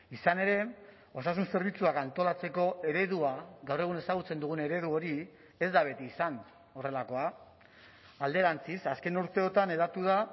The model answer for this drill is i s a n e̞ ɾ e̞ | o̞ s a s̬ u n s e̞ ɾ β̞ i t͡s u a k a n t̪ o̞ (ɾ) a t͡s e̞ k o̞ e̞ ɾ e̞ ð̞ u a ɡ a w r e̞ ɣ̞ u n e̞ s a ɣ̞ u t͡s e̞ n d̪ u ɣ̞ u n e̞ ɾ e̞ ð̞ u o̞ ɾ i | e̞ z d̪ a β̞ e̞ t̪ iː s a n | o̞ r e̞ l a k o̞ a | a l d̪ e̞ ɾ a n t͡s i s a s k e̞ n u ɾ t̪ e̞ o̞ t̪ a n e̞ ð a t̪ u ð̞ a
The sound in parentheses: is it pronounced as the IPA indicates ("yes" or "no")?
no